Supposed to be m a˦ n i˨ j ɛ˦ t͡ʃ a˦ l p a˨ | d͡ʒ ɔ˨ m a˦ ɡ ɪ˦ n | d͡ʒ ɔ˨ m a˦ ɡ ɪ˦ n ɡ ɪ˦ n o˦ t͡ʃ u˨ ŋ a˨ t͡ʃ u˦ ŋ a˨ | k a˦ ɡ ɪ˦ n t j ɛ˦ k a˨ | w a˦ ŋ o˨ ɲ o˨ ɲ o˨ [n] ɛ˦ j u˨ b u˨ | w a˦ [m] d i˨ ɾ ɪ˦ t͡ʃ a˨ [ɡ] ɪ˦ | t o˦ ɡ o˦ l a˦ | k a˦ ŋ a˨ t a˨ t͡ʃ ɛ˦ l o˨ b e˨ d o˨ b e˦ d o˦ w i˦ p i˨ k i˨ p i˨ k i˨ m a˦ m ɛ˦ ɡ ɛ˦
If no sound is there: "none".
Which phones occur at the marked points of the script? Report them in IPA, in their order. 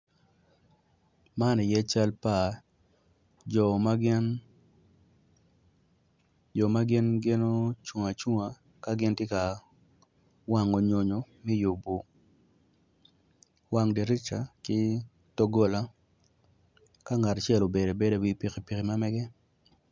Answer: m, ŋ, k

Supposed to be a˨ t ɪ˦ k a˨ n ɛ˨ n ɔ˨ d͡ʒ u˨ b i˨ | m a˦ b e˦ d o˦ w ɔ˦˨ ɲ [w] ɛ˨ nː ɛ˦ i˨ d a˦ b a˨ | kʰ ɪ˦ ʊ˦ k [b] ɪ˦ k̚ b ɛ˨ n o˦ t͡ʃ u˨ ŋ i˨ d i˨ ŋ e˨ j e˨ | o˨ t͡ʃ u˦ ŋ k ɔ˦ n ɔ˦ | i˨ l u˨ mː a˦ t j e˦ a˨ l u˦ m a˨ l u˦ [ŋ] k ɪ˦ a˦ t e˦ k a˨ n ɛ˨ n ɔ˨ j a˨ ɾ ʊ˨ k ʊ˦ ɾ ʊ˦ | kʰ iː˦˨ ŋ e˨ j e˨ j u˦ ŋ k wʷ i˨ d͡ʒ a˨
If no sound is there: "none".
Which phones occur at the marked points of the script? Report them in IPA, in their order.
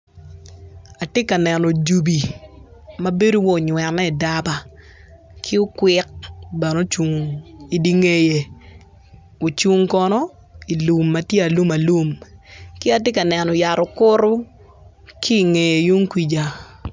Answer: w, w, m

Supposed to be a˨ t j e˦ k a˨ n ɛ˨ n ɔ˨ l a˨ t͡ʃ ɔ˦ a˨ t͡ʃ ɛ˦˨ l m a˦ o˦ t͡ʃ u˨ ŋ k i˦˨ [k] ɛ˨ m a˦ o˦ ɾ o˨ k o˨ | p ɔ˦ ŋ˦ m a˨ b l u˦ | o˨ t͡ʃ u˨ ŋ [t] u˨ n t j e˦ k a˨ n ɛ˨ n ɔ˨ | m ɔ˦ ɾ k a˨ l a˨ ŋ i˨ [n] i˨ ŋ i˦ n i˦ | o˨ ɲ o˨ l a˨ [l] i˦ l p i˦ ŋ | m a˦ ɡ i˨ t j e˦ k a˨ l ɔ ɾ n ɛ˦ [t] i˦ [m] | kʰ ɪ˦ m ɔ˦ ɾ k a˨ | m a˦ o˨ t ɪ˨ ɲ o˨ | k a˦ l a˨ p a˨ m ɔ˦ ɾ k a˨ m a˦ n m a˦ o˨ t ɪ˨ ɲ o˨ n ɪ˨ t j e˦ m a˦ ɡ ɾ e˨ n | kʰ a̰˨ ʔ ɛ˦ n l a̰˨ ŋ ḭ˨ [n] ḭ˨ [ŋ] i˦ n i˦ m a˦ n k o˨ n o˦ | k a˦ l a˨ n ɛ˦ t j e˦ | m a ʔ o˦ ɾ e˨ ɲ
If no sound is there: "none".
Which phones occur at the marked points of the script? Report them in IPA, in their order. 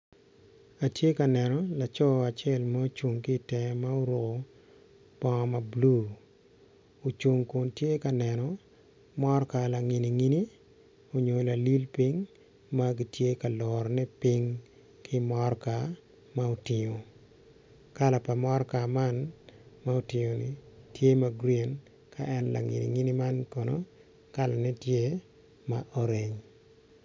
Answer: t, k, n, l, p, ŋ, n, ŋ

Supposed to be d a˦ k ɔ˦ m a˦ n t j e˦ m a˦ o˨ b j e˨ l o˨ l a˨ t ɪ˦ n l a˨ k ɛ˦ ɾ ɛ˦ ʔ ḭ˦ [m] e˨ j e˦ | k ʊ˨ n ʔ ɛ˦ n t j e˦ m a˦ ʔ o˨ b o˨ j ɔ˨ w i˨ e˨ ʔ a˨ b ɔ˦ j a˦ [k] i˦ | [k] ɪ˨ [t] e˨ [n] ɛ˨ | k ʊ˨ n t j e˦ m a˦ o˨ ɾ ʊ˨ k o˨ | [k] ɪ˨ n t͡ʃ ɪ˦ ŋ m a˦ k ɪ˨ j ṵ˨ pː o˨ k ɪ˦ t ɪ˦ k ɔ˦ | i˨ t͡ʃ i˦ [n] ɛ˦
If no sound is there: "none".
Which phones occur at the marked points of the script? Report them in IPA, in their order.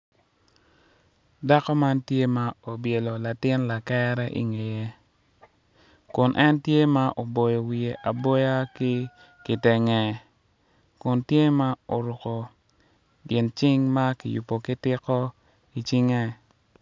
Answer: ŋ, k, k, t, ŋ, ɡ, ŋ

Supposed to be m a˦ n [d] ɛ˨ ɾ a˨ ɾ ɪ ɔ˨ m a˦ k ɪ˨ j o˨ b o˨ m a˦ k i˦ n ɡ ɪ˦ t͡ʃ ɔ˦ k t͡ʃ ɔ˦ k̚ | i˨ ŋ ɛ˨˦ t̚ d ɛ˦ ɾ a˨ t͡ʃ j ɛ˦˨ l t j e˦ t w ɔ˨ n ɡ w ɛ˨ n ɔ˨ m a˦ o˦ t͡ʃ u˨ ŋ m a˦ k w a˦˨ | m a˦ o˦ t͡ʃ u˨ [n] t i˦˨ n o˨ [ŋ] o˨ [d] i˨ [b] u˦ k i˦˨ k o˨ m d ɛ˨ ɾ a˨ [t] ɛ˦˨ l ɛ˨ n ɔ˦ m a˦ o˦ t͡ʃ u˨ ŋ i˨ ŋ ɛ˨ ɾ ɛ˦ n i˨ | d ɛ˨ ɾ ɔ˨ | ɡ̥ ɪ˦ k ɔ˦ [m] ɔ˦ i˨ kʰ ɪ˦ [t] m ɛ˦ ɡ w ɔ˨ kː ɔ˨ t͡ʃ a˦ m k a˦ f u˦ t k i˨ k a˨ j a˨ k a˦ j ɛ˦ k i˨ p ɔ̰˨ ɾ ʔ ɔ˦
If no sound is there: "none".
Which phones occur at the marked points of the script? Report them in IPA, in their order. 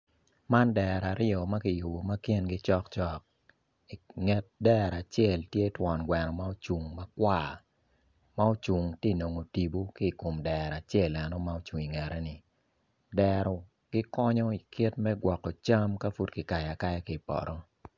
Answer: d, ŋ, ŋ, t, b, t͡ʃ, ɲ, t

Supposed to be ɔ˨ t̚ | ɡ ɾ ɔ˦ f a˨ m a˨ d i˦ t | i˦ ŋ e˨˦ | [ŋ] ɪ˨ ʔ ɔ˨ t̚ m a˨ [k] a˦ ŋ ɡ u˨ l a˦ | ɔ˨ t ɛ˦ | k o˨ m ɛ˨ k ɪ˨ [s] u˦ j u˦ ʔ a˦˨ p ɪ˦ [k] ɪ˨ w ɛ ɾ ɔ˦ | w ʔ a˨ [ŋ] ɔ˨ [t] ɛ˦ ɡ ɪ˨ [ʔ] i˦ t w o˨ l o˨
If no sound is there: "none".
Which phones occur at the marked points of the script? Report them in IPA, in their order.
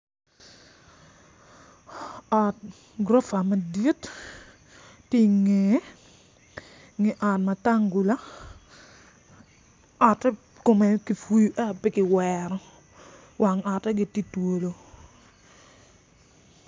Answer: ŋ, t, f, k, ŋ, t, t

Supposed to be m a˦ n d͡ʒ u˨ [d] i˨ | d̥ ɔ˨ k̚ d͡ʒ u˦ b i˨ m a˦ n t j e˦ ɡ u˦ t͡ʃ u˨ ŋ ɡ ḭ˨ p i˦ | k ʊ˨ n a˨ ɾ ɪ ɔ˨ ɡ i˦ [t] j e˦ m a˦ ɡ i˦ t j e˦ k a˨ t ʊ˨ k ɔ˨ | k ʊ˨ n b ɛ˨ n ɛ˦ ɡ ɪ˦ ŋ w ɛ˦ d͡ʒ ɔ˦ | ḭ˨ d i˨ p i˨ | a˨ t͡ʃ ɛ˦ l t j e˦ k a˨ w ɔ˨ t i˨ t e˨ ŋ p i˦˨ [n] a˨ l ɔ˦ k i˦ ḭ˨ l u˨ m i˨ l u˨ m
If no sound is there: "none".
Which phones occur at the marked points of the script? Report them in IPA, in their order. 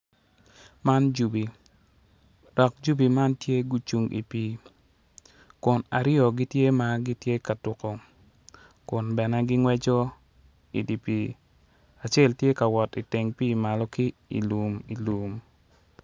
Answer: b, t, m

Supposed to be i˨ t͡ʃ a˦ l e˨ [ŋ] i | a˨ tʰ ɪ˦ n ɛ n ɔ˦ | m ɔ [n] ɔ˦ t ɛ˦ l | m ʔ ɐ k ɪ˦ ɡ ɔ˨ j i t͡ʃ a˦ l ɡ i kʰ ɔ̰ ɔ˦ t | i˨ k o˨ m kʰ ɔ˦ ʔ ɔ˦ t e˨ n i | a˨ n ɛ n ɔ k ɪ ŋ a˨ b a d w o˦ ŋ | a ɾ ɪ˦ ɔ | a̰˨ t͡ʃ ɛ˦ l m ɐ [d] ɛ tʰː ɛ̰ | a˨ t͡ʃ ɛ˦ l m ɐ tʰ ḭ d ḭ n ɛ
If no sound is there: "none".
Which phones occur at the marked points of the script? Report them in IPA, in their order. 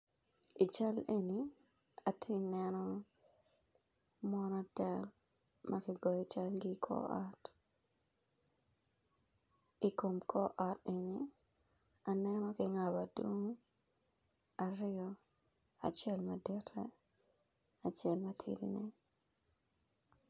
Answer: n, n, d

